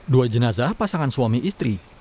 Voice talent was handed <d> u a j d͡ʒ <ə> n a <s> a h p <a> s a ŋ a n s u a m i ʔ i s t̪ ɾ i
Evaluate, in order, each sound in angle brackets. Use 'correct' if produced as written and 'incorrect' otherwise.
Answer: correct, correct, incorrect, correct

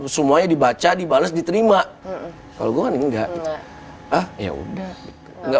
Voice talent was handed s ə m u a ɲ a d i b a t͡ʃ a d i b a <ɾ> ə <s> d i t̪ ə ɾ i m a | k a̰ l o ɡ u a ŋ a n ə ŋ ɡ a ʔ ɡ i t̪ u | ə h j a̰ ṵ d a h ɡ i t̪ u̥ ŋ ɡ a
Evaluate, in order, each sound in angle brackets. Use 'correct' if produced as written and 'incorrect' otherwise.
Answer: incorrect, correct

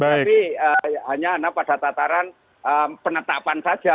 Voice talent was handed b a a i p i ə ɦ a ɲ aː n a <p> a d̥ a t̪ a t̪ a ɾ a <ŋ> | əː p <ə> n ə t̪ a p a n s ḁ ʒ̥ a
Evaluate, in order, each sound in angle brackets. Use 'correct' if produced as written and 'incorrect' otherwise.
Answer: correct, incorrect, correct

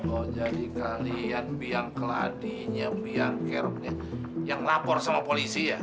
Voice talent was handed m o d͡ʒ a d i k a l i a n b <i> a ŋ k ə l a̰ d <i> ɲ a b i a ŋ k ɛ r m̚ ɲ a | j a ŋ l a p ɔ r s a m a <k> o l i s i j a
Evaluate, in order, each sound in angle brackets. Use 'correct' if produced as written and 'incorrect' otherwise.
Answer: correct, correct, incorrect

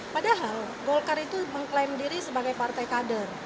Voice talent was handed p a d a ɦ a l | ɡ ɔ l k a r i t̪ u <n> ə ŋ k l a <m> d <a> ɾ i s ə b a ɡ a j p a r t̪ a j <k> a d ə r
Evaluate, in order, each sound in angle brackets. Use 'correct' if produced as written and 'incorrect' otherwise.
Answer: incorrect, correct, incorrect, correct

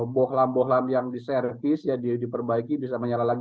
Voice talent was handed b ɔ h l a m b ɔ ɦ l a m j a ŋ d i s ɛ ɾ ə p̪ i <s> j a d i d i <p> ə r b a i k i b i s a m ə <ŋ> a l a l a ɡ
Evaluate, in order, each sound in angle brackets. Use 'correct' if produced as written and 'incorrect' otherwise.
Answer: correct, correct, incorrect

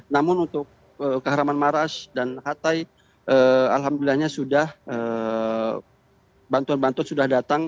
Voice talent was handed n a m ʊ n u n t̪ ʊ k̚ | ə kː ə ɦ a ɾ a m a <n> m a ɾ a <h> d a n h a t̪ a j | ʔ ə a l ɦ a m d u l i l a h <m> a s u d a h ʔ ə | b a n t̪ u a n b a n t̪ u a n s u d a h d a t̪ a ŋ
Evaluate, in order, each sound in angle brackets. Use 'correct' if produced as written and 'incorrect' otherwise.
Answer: correct, incorrect, incorrect

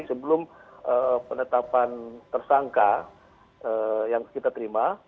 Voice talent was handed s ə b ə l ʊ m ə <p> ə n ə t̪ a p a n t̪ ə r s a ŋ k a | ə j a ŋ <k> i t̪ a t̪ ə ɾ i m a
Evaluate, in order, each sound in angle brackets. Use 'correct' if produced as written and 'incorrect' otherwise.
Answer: correct, correct

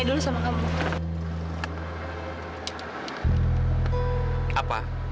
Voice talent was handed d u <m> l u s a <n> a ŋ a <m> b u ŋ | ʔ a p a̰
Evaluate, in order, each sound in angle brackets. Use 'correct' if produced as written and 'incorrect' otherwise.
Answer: incorrect, incorrect, correct

